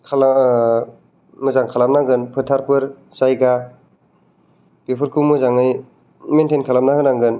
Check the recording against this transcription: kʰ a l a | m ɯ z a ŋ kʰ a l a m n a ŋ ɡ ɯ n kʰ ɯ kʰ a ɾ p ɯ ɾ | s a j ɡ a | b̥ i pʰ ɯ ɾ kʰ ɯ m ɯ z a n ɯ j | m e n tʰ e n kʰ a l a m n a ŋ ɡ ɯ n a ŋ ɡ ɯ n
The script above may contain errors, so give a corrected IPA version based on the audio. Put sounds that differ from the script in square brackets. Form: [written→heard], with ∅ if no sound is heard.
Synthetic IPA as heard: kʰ a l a | m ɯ z a ŋ kʰ a l a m n a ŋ ɡ ɯ n [kʰ→pʰ] ɯ [kʰ→tʰ] a ɾ p ɯ ɾ | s a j ɡ a | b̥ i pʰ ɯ ɾ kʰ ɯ m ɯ z a [n→ŋ] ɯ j | m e n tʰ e n kʰ a l a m n a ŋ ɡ ɯ n a ŋ ɡ ɯ n